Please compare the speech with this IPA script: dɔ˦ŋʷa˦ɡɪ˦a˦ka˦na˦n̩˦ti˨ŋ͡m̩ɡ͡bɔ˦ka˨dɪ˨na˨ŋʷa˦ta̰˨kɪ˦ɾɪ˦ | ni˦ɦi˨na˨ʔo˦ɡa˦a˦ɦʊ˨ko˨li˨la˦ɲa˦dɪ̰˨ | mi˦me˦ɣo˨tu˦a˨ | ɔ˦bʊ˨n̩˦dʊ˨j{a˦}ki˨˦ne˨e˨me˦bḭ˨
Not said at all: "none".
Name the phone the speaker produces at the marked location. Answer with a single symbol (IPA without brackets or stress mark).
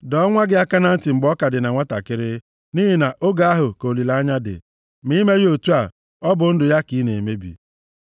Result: a˦